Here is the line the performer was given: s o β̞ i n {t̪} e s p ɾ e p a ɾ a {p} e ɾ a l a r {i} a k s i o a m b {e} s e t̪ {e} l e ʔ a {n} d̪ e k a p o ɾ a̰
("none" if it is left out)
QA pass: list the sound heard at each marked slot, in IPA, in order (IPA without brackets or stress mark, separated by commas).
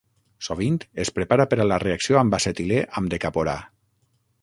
t̪, p, e, a, i, m